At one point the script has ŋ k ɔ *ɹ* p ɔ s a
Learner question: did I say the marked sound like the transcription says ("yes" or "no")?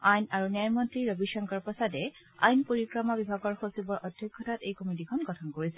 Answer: yes